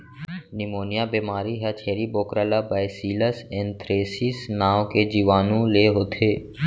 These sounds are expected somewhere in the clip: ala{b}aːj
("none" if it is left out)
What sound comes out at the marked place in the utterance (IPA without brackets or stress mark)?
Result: b